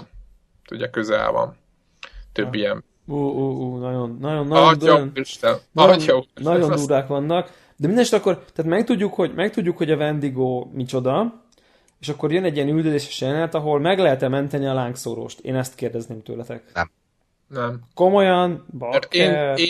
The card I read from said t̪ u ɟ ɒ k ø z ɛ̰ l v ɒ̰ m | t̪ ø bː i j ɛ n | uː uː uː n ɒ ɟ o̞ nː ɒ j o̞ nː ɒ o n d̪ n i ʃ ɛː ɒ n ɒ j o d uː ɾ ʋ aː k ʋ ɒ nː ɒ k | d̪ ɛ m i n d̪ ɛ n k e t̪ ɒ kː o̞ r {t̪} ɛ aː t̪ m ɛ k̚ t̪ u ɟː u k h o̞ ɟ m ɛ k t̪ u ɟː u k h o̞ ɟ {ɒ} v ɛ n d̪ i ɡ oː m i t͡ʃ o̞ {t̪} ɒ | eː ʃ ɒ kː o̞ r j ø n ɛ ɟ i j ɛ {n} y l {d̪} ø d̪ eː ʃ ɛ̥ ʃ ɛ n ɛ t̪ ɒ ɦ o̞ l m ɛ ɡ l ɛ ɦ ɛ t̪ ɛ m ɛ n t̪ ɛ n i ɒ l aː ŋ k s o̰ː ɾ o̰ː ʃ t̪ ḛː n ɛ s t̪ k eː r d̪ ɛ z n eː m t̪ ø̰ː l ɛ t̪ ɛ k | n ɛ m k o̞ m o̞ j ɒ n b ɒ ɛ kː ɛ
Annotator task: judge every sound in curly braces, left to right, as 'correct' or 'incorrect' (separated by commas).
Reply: correct, correct, incorrect, correct, correct